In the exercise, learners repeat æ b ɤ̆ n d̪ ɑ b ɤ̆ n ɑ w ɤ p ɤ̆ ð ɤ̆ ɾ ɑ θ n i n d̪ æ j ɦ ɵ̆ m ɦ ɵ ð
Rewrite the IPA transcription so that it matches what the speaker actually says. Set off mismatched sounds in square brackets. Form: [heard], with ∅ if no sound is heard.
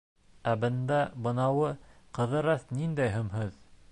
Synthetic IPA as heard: æ b ɤ̆ n d̪ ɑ b ɤ̆ n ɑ w ɤ [q] ɤ̆ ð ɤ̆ ɾ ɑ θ n i n d̪ æ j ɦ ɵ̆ m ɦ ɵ ð